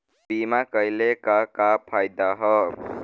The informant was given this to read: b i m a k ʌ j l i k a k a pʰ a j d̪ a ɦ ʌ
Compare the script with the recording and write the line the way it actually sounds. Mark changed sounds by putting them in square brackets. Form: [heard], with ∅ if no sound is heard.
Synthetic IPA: b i m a k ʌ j l [e] k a k a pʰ a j d̪ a ɦ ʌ